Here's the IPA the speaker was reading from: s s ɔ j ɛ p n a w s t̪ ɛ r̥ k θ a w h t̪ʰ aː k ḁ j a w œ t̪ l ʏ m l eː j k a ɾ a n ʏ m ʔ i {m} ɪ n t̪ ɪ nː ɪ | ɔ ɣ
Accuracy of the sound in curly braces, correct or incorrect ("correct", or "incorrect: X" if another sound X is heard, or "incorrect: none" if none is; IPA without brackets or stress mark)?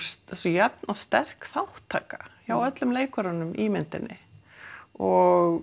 correct